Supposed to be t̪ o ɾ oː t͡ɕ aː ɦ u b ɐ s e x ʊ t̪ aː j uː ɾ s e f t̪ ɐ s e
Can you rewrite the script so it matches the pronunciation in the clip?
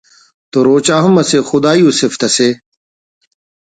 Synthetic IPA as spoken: t̪ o ɾ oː t͡ɕ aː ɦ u m ɐ s e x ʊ d̪ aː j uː s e f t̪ ɐ s e